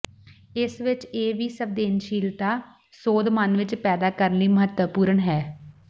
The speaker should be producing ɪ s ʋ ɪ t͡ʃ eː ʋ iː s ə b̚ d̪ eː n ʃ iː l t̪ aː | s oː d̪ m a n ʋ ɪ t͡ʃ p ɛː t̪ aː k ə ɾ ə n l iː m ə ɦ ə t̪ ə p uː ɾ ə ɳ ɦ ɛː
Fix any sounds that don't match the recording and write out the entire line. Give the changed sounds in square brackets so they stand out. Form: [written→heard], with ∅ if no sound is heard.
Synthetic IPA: ɪ s ʋ ɪ t͡ʃ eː ʋ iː s ə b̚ d̪ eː n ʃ iː l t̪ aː | s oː d̪ m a n ʋ ɪ t͡ʃ p ɛː [t̪→d̪] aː k ə ɾ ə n l iː m ə ɦ ə t̪ ə p uː ɾ ə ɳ ɦ ɛː